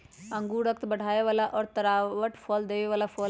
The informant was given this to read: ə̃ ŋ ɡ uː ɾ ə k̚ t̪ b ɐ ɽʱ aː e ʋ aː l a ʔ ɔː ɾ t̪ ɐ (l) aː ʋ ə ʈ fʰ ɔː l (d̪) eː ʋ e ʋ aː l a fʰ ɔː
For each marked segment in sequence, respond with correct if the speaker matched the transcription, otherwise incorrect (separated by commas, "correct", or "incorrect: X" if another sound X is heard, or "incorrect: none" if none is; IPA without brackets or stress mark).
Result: incorrect: ɾ, correct